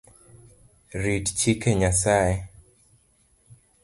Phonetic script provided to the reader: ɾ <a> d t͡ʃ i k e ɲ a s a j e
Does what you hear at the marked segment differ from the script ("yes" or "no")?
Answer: yes